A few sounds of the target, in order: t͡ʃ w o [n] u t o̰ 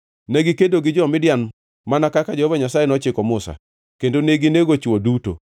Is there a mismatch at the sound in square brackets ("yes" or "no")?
yes